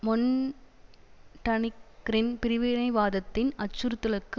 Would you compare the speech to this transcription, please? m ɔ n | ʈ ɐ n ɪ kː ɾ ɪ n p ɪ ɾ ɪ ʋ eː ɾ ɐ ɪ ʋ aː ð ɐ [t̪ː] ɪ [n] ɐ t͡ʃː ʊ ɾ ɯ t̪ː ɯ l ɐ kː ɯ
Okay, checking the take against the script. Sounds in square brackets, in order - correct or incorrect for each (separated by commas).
correct, correct